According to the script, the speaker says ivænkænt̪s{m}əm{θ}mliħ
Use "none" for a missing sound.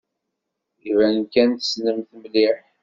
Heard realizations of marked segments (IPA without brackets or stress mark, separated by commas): n, θ